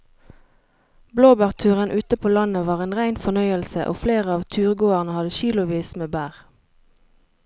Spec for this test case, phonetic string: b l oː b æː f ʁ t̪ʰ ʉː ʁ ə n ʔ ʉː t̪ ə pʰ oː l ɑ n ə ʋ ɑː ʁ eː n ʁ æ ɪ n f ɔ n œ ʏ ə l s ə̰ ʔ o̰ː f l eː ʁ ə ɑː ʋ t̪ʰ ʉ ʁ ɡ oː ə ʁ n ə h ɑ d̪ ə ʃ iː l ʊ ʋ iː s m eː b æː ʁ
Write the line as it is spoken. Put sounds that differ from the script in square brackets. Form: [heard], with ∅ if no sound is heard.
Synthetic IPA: b l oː b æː [∅] ʁ t̪ʰ ʉː ʁ ə n ʔ ʉː t̪ ə pʰ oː l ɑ n ə ʋ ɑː ʁ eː n ʁ æ ɪ n f ɔ n œ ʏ ə l s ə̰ ʔ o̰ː f l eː ʁ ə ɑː ʋ t̪ʰ [ʉː] ʁ ɡ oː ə ʁ n ə h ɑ d̪ ə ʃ iː l ʊ ʋ iː s m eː b æː ʁ